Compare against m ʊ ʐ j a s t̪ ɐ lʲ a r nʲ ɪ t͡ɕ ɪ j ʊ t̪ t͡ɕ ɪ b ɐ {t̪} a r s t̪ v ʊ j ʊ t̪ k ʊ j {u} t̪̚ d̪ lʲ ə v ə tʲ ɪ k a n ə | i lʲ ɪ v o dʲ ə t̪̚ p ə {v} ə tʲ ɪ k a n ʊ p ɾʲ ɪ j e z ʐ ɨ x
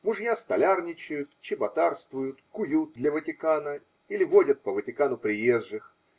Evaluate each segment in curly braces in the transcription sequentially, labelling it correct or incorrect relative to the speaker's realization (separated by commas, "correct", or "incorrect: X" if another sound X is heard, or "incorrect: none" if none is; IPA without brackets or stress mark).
correct, correct, correct